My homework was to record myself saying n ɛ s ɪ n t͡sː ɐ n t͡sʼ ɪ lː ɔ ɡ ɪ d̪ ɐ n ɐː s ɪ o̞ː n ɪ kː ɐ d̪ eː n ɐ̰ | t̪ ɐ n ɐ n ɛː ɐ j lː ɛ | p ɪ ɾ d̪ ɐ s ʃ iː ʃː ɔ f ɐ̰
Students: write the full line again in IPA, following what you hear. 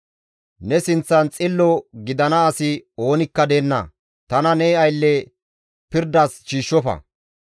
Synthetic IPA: n ɛ s ɪ n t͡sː ɐ n t͡sʼ ɪ lː ɔ ɡ ɪ d̪ ɐ n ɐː s ɪ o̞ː n ɪ kː ɐ d̪ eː nː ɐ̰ | t̪ ɐ n ɐ n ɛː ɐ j lː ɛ | p ɪ ɾ d̪ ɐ s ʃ iː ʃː ɔ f ɐ̰

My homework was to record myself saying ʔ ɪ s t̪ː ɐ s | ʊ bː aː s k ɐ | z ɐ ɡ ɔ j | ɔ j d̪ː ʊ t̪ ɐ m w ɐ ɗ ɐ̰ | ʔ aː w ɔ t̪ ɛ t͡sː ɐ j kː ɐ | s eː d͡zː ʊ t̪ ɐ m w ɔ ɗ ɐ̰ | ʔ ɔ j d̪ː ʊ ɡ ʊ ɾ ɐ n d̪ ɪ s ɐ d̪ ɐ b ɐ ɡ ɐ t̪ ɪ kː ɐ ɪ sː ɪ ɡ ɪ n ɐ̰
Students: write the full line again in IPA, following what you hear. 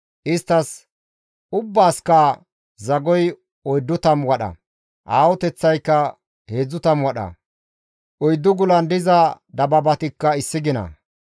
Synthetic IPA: ʔ ɪ s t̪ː ɐ s | ʊ bː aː s k ɐ | z ɐ ɡ ɔ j | ɔ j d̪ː ʊ t̪ ɐ m w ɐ ɗ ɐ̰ | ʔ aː w ɔ t̪ ɛ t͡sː ɐ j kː ɐ | h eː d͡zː ʊ t̪ ɐ m w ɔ ɗ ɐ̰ | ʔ ɔ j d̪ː ʊ ɡ ʊ l ɐ n d̪ ɪ z ɐ d̪ ɐ b ɐ b ɐ t̪ ɪ kː ɐ ɪ sː ɪ ɡ ɪ n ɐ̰

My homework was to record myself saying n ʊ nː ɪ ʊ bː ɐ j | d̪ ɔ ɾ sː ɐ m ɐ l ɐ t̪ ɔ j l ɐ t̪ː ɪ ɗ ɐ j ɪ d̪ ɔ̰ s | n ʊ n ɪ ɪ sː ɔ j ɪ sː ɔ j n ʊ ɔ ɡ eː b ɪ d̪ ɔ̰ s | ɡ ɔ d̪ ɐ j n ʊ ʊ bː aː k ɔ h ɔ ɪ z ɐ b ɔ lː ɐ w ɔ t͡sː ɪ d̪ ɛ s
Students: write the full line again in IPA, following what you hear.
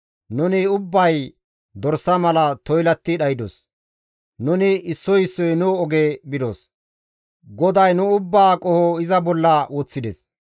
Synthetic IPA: n ʊ n ɪ ʊ bː ɐ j | d̪ ɔ ɾ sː ɐ m ɐ l ɐ t̪ ɔ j l ɐ t̪ː ɪ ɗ ɐ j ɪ d̪ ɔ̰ s | n ʊ n ɪ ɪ sː ɔ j ɪ sː ɔ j n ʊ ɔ ɡ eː b ɪ d̪ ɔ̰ s | ɡ ɔ d̪ ɐ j n ʊ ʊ bː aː kʼ ɔ h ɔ ɪ z ɐ b ɔ lː ɐ w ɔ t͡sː ɪ d̪ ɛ s

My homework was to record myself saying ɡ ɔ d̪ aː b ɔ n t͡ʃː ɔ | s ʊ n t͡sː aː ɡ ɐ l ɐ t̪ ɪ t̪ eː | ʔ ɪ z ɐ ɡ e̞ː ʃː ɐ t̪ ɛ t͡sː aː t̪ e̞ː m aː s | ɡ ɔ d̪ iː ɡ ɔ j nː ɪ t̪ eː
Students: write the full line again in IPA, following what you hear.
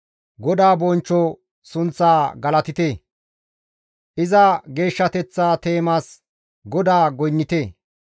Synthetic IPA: ɡ ɔ d̪ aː b ɔ n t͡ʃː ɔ | s ʊ n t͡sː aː ɡ ɐ l ɐ t̪ ɪ t̪ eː | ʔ ɪ z ɐ ɡ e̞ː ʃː ɐ t̪ ɛ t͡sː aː t̪ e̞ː m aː s | ɡ ɔ d̪ aː ɡ ɔ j nː ɪ t̪ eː

